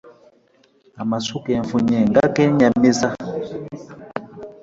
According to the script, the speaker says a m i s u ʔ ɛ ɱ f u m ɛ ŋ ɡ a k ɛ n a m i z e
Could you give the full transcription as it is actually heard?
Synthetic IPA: a m a s u k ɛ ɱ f u ɲ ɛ ŋ ɡ a k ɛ ɲ a m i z a